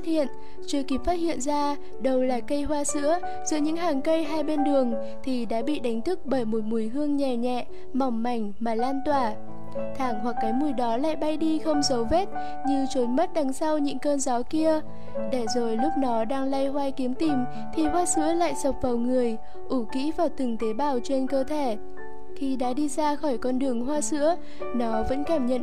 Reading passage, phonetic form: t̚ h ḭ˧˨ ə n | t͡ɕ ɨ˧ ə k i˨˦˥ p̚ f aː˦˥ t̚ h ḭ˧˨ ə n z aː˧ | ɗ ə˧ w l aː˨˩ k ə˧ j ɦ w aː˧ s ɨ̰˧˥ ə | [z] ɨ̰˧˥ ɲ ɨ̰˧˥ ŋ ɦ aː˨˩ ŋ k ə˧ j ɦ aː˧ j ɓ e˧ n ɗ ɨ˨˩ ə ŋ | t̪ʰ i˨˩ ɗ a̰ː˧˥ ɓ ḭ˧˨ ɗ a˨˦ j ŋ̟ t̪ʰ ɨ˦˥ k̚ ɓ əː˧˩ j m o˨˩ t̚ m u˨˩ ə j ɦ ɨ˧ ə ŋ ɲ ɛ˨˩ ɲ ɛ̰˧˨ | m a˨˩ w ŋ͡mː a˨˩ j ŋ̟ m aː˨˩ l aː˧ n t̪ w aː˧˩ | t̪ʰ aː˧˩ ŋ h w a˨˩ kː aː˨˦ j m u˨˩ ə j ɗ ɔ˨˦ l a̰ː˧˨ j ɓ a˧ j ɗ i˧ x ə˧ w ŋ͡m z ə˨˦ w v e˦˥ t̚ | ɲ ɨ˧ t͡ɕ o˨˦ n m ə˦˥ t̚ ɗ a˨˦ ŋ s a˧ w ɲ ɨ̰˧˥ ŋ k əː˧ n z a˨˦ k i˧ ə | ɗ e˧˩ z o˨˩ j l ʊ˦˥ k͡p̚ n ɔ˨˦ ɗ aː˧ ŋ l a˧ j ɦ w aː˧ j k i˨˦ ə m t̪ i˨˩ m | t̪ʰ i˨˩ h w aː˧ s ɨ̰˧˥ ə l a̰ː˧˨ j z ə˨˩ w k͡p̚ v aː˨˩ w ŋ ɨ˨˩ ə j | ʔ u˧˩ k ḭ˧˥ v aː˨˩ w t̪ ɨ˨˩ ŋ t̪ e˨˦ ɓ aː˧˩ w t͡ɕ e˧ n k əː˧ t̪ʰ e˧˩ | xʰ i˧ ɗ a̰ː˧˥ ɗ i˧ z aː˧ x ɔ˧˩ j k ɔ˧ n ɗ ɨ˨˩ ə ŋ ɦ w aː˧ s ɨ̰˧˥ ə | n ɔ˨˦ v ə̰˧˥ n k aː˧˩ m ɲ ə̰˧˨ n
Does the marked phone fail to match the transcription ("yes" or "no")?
no